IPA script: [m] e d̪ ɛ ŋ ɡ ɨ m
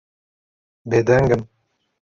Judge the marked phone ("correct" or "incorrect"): incorrect